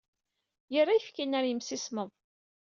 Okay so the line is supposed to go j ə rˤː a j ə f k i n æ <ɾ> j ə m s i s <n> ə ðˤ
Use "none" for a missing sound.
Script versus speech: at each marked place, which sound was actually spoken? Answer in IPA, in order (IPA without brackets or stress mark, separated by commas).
ɾ, m